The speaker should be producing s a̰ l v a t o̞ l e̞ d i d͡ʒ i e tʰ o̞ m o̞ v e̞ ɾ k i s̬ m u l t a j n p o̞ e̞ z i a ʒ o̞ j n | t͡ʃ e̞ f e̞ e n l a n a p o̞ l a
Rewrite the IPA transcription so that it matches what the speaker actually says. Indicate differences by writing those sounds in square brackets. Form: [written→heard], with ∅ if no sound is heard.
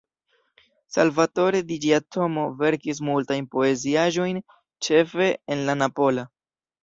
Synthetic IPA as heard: s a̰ l v a t o̞ [l→ɾ] e̞ d i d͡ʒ i [e→a] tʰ o̞ m o̞ v e̞ ɾ k i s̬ m u l t a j n p o̞ e̞ z i a ʒ o̞ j n | t͡ʃ e̞ f e̞ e n l a n a p o̞ l a